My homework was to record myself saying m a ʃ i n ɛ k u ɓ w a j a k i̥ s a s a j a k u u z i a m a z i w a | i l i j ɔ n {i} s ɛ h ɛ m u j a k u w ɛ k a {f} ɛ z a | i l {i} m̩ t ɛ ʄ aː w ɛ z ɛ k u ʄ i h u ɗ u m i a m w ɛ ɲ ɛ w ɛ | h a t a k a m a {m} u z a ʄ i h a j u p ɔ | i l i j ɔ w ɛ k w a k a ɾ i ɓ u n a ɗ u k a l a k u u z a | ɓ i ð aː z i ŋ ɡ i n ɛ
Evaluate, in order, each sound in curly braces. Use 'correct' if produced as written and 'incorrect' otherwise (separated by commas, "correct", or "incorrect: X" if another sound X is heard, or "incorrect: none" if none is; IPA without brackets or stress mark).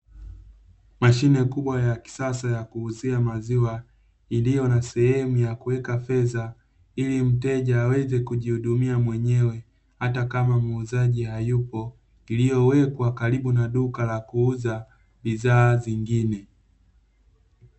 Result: incorrect: a, correct, correct, correct